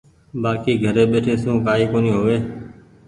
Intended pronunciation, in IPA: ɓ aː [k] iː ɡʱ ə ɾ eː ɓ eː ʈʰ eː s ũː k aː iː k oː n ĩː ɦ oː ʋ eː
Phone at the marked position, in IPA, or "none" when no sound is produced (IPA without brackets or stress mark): k